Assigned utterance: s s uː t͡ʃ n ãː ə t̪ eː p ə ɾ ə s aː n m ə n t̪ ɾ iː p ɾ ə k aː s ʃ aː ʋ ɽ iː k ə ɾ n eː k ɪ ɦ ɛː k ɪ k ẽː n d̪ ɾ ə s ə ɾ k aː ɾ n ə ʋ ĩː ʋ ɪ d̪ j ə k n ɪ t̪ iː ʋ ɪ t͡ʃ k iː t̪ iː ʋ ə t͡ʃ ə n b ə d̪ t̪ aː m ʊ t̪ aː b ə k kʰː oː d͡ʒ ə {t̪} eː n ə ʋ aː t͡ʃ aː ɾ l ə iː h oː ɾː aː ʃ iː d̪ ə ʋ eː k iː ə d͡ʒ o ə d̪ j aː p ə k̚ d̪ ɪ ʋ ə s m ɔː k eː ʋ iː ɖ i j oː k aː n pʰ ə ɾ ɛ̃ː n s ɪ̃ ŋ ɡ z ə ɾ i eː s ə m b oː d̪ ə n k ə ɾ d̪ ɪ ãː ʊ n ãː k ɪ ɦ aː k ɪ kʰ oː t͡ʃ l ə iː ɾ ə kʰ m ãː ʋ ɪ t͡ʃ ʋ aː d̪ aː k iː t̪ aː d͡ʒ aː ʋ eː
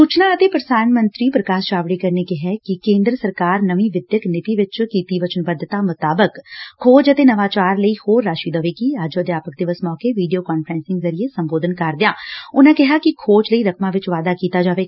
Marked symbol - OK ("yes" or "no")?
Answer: yes